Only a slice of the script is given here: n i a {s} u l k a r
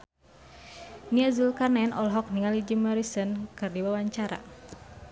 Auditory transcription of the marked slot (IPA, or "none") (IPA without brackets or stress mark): z